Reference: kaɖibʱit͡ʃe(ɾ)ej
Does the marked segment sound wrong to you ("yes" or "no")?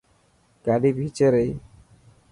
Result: no